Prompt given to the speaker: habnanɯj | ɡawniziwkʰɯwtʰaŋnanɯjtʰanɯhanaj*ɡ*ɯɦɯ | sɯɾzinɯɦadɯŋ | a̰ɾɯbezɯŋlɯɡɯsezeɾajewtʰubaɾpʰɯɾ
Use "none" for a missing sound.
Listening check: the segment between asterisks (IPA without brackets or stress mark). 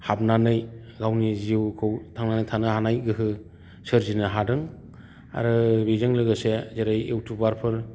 ɡ